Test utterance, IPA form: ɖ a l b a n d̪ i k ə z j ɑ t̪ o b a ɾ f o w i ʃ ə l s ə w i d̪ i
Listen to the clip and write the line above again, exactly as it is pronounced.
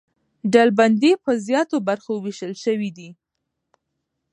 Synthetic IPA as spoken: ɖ a l b a n d̪ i p ə z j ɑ t̪ o b a ɾ x o w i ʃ ə l ʃ ə w i d̪ i